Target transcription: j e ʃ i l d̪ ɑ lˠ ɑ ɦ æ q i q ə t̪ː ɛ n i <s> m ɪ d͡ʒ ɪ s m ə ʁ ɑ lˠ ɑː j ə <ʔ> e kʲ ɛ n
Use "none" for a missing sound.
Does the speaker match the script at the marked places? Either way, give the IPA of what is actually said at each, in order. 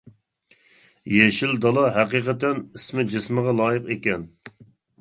s, q

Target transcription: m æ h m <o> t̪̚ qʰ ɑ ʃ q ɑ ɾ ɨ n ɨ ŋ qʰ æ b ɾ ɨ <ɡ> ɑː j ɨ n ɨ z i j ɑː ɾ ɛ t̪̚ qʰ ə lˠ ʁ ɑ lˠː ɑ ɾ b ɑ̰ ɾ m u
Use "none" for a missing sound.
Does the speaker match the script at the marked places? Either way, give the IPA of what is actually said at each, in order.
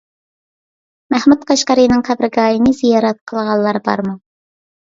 u, ɡ

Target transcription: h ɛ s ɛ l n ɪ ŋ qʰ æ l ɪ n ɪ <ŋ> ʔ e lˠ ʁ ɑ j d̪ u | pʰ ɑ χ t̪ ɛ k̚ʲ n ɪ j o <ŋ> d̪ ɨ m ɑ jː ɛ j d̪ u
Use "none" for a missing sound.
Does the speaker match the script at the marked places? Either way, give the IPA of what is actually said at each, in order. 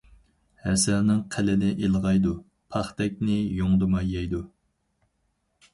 none, ŋ

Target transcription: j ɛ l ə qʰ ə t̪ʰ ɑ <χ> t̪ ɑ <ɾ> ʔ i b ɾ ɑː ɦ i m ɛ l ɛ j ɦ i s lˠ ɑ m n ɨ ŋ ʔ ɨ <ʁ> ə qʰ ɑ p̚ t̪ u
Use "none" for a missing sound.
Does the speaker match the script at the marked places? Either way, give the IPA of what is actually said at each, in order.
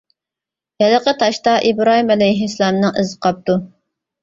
ʃ, none, z

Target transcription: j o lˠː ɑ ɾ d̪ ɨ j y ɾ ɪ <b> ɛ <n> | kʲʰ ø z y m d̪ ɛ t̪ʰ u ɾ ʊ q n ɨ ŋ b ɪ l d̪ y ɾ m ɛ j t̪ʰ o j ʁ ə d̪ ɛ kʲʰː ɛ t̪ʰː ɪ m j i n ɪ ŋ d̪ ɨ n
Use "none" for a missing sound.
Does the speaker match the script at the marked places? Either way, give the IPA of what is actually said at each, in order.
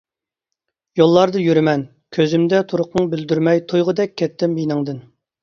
m, n

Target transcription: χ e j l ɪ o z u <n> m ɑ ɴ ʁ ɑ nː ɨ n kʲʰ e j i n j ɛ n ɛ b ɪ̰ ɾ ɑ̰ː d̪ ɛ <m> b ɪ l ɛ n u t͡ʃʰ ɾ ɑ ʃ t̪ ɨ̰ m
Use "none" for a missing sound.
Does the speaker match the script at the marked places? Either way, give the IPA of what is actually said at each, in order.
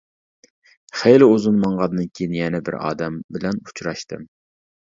n, m

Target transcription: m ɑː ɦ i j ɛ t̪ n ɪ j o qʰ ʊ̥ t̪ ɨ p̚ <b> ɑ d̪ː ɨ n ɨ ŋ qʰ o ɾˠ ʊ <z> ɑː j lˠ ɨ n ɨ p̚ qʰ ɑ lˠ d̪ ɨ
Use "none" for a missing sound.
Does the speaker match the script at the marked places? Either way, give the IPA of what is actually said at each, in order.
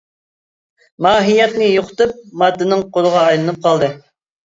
m, ʁ

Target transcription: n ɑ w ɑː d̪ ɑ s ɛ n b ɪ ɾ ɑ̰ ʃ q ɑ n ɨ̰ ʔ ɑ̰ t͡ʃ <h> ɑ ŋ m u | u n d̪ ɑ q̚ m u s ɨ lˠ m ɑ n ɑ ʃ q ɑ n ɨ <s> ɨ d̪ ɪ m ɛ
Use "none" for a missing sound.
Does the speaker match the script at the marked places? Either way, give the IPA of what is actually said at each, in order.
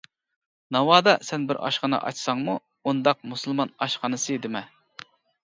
s, s

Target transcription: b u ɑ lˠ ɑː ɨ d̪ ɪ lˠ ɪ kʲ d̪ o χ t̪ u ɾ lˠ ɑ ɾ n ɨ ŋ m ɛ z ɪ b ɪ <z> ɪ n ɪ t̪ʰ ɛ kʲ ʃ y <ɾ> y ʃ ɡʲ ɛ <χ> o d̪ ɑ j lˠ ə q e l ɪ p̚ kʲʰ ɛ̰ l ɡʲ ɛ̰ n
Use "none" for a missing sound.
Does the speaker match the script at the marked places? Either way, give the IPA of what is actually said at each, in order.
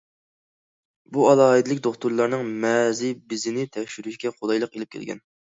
z, ɾ, χ

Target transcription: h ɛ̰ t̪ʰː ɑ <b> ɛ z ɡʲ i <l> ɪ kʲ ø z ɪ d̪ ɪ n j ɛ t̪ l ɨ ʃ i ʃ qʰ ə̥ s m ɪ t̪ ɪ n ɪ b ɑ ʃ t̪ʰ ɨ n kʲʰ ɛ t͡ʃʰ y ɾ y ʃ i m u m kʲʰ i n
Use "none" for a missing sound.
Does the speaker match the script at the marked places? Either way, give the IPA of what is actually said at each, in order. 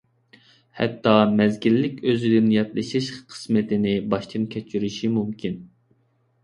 m, lː

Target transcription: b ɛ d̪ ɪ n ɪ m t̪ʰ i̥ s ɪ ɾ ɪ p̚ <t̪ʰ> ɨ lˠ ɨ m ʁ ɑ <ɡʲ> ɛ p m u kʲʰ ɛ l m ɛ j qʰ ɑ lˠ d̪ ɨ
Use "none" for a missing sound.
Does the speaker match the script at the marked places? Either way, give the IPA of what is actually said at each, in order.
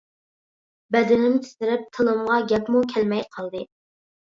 t̪ʰ, ɡʲ

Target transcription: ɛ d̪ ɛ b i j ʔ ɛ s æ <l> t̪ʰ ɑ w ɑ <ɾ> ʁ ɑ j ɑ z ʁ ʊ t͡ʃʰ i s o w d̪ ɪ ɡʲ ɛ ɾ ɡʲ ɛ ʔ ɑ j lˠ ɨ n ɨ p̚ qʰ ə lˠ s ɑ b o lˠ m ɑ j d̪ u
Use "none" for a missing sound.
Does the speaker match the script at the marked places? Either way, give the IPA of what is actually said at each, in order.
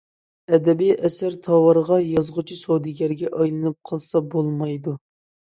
ɾ, ɾ

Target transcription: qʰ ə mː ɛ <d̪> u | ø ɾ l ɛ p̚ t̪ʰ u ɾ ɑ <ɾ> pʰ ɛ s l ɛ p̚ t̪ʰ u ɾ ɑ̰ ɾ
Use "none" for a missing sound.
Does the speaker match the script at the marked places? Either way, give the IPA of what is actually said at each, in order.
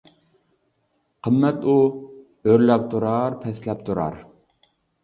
t̪, ɾ

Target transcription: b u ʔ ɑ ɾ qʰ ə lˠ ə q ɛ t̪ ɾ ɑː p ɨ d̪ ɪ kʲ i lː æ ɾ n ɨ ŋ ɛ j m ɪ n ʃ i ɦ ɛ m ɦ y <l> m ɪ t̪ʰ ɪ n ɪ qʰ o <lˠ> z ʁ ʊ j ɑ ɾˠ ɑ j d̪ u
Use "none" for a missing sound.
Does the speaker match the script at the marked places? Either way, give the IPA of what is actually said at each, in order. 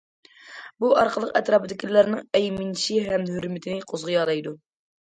ɾ, none

